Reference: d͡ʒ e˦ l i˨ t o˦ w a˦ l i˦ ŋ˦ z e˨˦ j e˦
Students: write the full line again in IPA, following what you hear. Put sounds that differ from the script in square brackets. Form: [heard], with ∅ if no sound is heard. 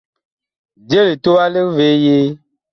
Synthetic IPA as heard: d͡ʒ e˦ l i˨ t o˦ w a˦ l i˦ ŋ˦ [v] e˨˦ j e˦